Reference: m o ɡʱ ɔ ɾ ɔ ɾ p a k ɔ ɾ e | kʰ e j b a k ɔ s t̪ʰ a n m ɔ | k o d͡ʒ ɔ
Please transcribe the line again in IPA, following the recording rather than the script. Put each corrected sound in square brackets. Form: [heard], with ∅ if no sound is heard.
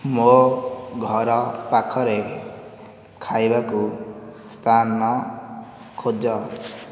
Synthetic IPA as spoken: m o ɡʱ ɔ ɾ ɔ [∅] p a [kʰ] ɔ ɾ e | kʰ [a] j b a k [u] s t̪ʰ a n m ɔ | [kʰ] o d͡ʒ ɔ

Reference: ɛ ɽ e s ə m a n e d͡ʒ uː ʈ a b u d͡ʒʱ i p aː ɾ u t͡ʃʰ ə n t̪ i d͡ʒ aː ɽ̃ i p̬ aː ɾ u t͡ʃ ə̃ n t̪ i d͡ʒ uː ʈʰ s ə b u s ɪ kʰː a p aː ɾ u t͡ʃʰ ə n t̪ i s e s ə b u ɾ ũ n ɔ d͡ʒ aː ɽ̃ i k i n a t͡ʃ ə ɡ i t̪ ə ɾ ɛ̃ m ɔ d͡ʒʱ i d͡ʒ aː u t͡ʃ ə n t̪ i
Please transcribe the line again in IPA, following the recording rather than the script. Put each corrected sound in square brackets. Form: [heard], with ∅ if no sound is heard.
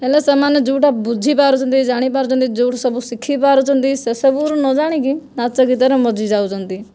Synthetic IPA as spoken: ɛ [l] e s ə m a n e d͡ʒ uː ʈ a b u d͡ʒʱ i p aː ɾ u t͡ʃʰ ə n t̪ i d͡ʒ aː ɽ̃ i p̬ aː ɾ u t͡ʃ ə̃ n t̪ i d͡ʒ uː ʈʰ s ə b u s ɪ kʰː [i] p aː ɾ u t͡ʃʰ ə n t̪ i s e s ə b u ɾ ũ n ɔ d͡ʒ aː ɽ̃ i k i n a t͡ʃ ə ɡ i t̪ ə ɾ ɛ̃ m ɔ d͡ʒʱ i d͡ʒ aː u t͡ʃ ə n t̪ i

